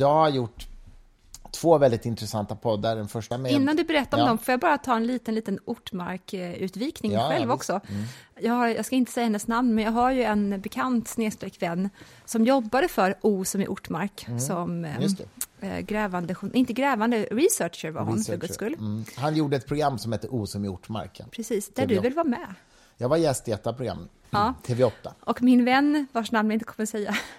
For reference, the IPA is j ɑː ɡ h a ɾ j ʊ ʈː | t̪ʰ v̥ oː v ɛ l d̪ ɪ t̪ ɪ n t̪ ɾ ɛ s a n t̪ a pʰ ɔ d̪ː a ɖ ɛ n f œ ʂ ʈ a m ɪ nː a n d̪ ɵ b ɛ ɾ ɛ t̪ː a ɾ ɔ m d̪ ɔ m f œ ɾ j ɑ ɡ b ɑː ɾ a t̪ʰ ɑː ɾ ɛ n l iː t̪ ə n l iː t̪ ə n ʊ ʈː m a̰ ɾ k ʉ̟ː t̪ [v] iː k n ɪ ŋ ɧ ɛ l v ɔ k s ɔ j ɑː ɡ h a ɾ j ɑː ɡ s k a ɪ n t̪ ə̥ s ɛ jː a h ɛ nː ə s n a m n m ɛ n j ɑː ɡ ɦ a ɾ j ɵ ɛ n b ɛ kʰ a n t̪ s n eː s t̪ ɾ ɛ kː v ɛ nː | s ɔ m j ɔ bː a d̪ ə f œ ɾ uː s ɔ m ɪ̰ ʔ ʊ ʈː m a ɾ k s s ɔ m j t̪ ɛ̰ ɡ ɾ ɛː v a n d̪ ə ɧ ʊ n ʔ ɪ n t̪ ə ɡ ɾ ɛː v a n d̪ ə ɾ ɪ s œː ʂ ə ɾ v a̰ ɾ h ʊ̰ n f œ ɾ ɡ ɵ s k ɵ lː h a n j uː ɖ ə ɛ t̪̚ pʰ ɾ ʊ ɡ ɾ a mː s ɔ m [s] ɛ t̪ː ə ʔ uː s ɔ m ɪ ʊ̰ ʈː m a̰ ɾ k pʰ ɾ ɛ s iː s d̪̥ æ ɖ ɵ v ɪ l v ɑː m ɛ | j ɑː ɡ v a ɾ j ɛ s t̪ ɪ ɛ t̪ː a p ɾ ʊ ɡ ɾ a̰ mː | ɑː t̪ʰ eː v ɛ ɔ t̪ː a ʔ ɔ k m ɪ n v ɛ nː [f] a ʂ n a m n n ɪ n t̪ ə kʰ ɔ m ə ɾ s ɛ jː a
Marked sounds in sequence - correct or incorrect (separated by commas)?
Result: correct, incorrect, incorrect